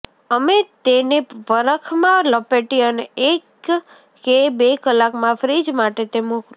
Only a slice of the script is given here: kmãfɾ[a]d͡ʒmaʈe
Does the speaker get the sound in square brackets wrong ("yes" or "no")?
yes